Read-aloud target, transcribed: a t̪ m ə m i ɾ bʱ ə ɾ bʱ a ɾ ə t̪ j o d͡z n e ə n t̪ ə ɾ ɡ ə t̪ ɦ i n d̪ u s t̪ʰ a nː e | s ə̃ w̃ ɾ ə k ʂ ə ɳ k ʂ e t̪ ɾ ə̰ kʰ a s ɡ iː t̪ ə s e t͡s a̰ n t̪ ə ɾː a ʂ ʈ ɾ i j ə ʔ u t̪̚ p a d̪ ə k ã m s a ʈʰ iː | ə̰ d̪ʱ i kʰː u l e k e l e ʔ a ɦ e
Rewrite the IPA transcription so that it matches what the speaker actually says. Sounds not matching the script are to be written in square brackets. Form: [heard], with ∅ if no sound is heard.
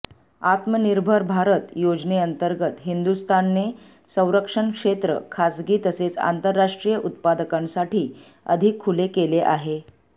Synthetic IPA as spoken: a t̪ m ə [n] i ɾ bʱ ə ɾ bʱ a ɾ ə t̪ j o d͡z n e ə n t̪ ə ɾ ɡ ə t̪ ɦ i n d̪ u s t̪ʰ a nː e | s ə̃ w̃ ɾ ə k ʂ ə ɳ k ʂ e t̪ ɾ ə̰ kʰ a s ɡ iː t̪ ə s e t͡s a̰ n t̪ ə ɾː a ʂ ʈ ɾ i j ə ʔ u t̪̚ p a d̪ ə k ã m s a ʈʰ iː | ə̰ d̪ʱ i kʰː u l e k e l e ʔ a ɦ e

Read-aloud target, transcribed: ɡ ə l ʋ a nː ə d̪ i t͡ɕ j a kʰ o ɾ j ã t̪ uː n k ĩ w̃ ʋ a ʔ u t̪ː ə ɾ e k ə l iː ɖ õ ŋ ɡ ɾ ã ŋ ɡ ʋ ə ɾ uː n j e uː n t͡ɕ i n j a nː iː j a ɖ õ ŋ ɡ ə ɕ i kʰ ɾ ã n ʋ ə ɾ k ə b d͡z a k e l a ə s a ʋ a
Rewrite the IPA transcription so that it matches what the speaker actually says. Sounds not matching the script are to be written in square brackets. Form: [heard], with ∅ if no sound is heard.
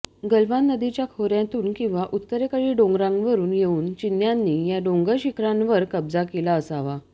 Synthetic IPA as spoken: ɡ ə l ʋ a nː ə d̪ i t͡ɕ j a kʰ o ɾ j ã t̪ uː n k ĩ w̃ ʋ a ʔ u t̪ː ə ɾ e k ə [ɭ] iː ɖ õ ŋ ɡ ɾ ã ŋ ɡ ʋ ə ɾ uː n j e uː n t͡ɕ i n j a nː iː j a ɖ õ ŋ ɡ ə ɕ i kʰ ɾ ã n ʋ ə ɾ k ə b d͡z a k e l a ə s a ʋ a

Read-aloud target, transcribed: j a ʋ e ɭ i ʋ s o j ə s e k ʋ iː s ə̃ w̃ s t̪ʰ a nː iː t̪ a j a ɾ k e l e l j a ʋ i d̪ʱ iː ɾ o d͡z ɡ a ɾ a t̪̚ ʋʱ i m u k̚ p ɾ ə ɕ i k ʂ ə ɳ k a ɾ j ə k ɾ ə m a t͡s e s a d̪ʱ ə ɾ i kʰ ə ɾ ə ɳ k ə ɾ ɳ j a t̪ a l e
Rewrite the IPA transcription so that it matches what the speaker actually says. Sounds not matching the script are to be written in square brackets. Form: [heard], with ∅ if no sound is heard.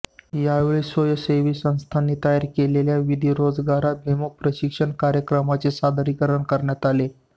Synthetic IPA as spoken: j a ʋ e ɭ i [∅] s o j ə s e [∅] ʋ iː s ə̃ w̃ s t̪ʰ a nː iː t̪ a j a ɾ k e l e l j a ʋ i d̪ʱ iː ɾ o d͡z ɡ a ɾ a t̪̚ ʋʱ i m u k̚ p ɾ ə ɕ i k ʂ ə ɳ k a ɾ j ə k ɾ ə m a t͡s e s a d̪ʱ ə ɾ i [k] ə ɾ ə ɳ k ə ɾ ɳ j a t̪ a l e

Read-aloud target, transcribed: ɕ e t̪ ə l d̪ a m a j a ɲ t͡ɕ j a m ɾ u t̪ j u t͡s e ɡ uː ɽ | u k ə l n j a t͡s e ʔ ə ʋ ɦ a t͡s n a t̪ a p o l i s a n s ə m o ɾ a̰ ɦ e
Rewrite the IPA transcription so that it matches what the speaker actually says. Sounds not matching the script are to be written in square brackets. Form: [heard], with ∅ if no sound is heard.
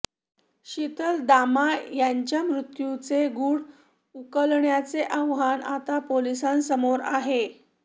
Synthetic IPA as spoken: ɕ [i] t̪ ə l d̪ a m a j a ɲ t͡ɕ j a m ɾ u t̪ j u t͡s e ɡ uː ɽ | u k ə l [ɳ] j a t͡s e ʔ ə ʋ ɦ a [∅] n a t̪ a p o l i s a n s ə m o ɾ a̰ ɦ e

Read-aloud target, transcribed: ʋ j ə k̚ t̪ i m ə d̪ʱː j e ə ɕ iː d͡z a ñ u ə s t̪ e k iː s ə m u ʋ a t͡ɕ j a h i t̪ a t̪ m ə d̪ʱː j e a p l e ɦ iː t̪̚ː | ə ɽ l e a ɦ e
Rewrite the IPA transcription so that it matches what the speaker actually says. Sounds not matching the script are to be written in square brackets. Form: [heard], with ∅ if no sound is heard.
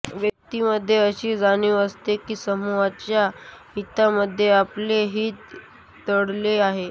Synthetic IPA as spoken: ʋ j ə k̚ t̪ i m ə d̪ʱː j e ə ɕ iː d͡z a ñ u ə s t̪ e k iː s ə m u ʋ a t͡ɕ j a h i t̪ a [∅] m ə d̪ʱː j e a p l e ɦ iː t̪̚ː | ə ɽ l e a ɦ e

